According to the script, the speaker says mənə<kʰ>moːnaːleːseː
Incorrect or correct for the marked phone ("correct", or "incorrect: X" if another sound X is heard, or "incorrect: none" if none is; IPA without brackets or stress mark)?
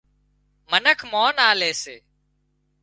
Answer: correct